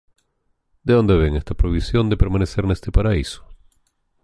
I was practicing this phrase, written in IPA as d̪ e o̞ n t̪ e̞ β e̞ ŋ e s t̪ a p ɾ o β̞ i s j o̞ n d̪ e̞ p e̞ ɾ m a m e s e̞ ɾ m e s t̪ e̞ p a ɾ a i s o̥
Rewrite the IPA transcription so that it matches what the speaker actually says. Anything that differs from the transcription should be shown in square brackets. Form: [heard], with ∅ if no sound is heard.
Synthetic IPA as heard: d̪ e o̞ n [d̪] e̞ β e̞ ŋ e s t̪ a p ɾ o β̞ i s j o̞ n d̪ e̞ p e̞ ɾ m a [n] e s e̞ ɾ [n] e s t̪ e̞ p a ɾ a i s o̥